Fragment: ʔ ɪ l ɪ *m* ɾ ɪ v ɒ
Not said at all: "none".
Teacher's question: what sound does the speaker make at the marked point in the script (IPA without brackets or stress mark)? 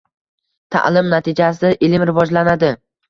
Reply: m